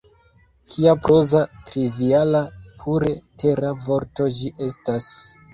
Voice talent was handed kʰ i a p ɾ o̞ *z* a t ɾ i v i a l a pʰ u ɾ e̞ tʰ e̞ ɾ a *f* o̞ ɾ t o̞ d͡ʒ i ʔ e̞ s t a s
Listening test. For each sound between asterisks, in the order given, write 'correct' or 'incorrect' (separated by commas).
correct, incorrect